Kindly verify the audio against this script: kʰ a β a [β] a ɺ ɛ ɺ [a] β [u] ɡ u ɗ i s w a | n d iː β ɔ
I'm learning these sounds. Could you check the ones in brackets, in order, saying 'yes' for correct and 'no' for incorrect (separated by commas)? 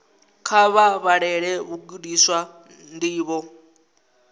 yes, no, yes